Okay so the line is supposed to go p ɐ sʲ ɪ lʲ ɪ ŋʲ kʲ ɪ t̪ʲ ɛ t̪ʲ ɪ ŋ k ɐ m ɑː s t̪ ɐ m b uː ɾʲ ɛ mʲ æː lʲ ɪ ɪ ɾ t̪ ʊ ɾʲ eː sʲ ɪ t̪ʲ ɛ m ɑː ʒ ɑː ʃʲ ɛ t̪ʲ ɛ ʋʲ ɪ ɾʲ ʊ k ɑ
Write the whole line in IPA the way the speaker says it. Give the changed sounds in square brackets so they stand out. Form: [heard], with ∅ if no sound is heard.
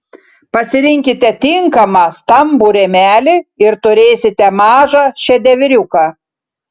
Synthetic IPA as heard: p ɐ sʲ ɪ [ɾʲ] ɪ ŋʲ kʲ ɪ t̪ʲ ɛ t̪ʲ ɪ ŋ k ɐ m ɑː s t̪ ɐ m b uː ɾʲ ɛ mʲ æː lʲ ɪ ɪ ɾ t̪ ʊ ɾʲ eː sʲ ɪ t̪ʲ ɛ m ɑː ʒ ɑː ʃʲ ɛ [d̪ʲ] ɛ ʋʲ ɪ ɾʲ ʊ k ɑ